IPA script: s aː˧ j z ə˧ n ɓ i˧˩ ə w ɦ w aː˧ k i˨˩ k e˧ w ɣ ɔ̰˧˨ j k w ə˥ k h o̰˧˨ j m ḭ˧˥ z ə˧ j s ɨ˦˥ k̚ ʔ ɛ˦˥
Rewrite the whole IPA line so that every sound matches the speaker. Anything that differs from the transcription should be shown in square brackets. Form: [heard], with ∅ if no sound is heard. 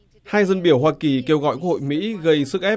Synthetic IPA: [h] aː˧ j z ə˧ n ɓ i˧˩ ə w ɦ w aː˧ k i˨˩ k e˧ w ɣ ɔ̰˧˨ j k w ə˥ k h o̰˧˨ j m ḭ˧˥ [ɣ] ə˧ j s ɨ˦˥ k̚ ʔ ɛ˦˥